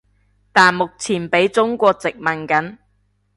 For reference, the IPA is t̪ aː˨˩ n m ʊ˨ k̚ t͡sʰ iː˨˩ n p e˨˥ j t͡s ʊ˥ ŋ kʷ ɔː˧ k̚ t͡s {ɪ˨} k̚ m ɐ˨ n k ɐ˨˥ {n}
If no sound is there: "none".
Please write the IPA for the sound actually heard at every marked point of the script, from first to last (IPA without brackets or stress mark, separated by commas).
ɪ˨, n